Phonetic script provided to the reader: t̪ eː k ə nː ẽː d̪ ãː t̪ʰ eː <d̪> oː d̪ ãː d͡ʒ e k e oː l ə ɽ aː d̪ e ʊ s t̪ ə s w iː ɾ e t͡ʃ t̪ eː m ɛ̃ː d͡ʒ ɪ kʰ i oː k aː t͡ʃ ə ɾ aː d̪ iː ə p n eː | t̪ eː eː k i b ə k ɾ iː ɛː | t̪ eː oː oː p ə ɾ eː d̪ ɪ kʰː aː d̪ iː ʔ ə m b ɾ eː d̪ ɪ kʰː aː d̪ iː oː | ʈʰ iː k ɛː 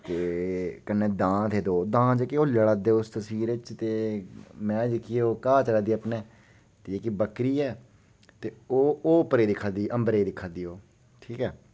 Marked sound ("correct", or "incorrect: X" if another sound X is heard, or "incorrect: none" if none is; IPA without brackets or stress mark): correct